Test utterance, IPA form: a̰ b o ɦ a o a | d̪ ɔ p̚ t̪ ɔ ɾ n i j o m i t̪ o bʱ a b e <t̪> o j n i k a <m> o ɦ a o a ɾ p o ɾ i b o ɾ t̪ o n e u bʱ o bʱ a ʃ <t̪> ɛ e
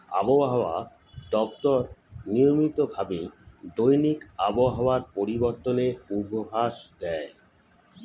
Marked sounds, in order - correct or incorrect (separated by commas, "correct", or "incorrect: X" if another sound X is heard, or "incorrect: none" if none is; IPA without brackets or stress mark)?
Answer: incorrect: d̪, incorrect: b, incorrect: d̪